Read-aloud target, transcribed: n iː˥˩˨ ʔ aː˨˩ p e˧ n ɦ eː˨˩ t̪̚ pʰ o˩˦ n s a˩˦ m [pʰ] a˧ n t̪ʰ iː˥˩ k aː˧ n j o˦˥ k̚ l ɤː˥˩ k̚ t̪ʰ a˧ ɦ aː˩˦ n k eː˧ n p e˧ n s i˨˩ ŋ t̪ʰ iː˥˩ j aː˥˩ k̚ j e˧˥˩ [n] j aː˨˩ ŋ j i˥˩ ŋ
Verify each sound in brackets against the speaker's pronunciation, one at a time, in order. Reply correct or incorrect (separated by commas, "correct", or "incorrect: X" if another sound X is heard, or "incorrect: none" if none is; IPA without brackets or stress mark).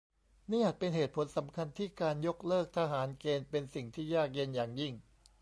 incorrect: kʰ, correct